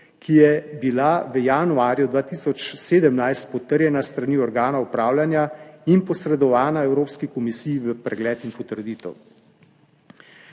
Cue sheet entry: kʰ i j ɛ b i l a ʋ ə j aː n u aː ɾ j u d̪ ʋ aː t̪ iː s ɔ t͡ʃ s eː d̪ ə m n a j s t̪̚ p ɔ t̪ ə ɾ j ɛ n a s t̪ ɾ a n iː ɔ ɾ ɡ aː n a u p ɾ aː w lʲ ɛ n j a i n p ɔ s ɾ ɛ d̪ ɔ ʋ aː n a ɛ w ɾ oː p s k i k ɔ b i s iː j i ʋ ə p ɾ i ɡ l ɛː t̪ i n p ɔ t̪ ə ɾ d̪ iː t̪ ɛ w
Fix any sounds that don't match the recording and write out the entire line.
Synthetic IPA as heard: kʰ i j ɛ b i l a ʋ ə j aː n u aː ɾ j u d̪ ʋ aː t̪ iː s ɔ t͡ʃ s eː d̪ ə m n a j s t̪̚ p ɔ t̪ ə ɾ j ɛ n a s t̪ ɾ a n iː ɔ ɾ ɡ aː n a u p ɾ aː w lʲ a n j a i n p ɔ s ɾ ɛ d̪ ɔ ʋ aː n a ɛ w ɾ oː p s k i k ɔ m i s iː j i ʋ ə p ɾ ɛ ɡ l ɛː t̪ i n p ɔ t̪ ə ɾ d̪ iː t̪ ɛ w